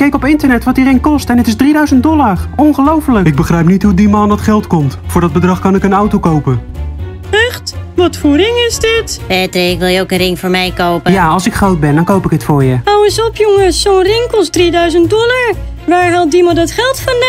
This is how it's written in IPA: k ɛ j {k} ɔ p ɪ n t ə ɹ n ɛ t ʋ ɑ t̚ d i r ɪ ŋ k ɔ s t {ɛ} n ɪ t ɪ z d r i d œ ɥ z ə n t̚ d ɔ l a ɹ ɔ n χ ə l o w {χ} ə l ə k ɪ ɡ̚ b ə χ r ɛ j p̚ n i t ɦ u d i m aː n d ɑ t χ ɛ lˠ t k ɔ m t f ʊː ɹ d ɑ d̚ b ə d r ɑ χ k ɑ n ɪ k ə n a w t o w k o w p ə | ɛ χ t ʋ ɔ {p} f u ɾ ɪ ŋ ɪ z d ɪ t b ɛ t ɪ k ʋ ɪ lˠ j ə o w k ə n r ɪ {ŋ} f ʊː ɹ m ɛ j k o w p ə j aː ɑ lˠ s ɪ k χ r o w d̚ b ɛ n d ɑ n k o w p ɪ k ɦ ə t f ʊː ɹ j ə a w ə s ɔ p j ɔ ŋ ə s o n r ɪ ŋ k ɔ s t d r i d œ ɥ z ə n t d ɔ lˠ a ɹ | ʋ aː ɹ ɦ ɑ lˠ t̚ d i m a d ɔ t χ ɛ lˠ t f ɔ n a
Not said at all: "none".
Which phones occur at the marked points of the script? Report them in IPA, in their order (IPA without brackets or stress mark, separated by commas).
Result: k, ɛ, f, t, ŋ